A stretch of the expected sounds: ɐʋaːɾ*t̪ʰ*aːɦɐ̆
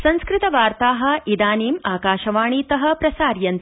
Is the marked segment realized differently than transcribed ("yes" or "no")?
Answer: yes